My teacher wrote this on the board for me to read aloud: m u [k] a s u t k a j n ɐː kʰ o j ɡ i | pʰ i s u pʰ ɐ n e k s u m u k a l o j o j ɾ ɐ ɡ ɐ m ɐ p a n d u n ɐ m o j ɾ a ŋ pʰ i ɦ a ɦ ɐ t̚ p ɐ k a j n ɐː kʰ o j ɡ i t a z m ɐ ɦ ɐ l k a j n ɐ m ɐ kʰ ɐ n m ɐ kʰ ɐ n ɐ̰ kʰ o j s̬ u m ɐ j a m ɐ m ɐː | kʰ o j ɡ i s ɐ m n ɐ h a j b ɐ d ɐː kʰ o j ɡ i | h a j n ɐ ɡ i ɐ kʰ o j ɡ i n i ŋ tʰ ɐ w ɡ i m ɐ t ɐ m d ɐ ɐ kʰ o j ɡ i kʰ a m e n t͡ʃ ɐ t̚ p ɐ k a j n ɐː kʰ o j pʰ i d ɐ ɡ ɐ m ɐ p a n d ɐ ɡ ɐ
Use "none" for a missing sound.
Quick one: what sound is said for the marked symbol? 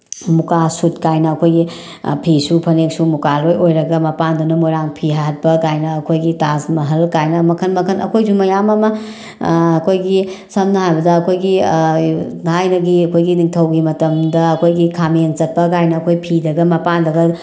k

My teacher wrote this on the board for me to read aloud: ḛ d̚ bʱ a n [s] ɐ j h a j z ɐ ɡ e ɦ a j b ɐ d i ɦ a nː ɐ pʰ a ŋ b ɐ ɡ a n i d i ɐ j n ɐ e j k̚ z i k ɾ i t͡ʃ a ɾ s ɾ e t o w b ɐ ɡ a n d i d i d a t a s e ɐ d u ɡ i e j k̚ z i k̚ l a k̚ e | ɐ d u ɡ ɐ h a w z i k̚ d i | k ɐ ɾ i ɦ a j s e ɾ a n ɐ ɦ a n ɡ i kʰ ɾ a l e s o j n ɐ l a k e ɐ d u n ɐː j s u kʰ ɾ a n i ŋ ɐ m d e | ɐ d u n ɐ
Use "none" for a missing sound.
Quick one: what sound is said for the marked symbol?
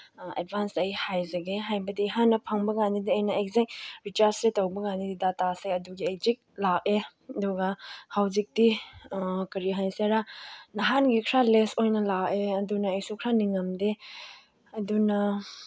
s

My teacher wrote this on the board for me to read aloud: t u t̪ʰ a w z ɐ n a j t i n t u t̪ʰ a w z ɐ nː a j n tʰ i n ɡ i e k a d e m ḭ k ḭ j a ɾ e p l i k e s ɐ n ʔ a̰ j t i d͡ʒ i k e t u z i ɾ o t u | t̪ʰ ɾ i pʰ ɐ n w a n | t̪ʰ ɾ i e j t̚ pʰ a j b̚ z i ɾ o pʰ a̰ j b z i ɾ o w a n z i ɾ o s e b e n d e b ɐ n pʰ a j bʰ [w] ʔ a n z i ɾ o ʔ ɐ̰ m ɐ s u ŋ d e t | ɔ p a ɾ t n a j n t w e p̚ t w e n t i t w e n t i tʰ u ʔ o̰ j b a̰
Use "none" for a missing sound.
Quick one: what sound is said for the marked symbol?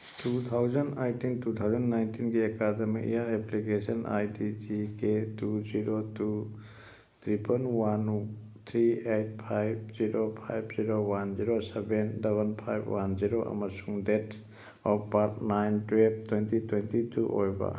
w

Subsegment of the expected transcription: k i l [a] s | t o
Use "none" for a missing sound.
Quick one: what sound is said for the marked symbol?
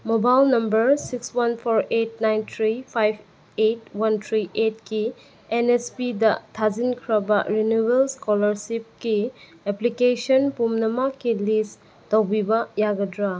i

